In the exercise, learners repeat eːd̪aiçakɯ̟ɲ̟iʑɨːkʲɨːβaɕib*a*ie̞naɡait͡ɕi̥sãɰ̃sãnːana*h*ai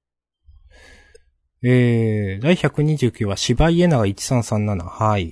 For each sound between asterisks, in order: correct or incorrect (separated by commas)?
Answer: correct, correct